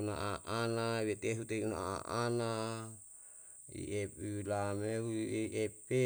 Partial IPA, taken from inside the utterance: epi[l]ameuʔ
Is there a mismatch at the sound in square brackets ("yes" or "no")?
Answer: no